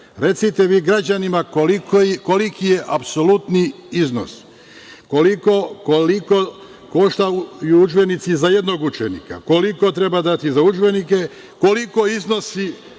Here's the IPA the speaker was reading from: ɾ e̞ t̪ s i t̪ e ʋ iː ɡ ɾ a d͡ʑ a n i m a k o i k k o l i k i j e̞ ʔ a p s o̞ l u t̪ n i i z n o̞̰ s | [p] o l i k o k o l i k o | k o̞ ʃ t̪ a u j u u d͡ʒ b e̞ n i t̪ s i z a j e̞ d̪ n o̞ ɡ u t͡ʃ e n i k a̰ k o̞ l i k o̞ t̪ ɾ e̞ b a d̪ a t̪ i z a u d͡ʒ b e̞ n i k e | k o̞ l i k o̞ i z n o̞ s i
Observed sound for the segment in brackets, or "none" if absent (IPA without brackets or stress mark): k